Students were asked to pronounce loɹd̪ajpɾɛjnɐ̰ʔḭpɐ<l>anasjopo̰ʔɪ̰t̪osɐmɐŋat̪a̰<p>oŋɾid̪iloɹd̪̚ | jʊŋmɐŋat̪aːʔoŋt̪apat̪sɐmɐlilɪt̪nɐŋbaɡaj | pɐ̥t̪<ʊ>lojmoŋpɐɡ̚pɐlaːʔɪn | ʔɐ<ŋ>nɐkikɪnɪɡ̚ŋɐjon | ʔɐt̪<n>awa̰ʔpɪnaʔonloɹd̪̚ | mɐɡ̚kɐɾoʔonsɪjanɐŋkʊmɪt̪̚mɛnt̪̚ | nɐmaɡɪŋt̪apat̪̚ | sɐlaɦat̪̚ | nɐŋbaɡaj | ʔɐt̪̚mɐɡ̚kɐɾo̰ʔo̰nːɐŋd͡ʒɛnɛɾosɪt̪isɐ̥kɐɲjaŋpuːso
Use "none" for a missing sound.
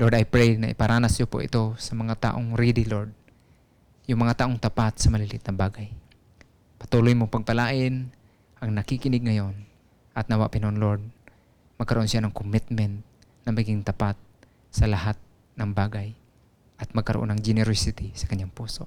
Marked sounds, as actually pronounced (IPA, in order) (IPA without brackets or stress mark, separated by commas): ɾ, ʔ, u, ŋ, n